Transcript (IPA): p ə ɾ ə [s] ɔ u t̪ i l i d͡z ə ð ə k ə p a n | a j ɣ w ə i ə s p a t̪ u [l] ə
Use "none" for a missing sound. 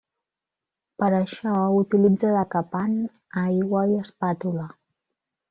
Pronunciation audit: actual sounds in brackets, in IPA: ʃ, l

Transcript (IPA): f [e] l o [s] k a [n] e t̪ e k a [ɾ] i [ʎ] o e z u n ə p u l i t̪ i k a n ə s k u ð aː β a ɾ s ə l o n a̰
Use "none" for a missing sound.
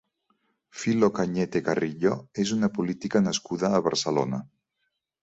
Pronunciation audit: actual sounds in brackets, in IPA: i, none, ɲ, r, ʎ

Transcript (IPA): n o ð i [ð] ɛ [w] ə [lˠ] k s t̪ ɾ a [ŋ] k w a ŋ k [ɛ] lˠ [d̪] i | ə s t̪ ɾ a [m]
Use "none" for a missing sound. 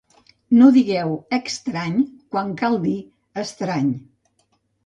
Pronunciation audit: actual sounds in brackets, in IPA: ɣ, w, none, ɲ, a, d̪, ɲ

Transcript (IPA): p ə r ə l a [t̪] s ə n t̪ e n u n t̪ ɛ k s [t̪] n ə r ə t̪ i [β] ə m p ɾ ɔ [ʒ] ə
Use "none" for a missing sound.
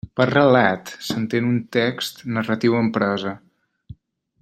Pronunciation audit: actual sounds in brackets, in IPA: t̪, t̪, w, z

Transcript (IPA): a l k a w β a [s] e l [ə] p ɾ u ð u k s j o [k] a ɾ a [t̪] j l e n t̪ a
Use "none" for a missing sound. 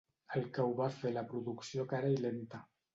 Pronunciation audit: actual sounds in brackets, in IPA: f, a, k, none

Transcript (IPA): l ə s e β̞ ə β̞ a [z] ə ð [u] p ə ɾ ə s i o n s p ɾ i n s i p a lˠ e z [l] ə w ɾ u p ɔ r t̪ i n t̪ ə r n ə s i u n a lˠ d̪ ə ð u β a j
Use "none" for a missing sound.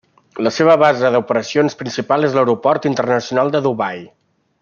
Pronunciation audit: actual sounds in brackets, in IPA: z, u, l

